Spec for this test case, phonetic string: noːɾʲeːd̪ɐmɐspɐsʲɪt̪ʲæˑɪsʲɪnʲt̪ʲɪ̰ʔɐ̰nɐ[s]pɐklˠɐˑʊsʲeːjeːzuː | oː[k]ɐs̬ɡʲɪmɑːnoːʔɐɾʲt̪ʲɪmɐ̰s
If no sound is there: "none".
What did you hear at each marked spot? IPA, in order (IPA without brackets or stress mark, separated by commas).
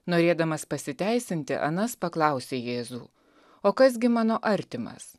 s, k